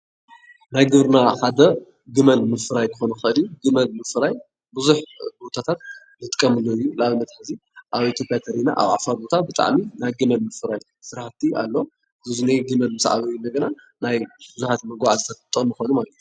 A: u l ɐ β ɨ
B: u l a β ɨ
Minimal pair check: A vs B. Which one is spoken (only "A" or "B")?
B